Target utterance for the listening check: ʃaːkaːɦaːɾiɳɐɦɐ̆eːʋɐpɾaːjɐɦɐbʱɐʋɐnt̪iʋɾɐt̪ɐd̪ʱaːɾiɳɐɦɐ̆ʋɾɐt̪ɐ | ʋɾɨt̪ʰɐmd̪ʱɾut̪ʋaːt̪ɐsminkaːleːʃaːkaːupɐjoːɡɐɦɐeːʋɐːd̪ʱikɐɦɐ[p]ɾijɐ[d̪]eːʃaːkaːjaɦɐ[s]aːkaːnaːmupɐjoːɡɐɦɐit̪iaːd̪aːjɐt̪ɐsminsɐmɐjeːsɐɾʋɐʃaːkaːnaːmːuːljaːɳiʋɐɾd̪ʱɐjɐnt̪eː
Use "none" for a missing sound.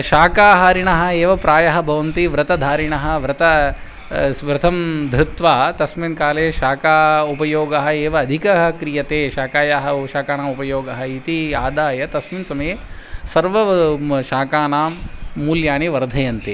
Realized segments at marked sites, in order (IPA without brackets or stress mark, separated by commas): k, t̪, ʃ